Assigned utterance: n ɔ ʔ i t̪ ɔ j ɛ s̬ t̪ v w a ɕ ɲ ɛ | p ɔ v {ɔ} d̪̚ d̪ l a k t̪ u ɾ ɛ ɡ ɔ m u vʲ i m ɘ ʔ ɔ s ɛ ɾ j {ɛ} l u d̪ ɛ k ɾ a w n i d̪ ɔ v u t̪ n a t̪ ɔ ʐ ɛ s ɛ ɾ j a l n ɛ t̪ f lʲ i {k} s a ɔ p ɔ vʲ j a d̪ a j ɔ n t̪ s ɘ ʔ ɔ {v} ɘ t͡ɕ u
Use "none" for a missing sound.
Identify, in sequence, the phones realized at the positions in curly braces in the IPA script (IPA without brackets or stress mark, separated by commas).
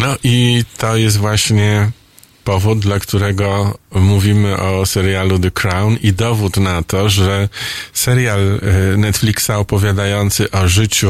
u, a, k, ʐ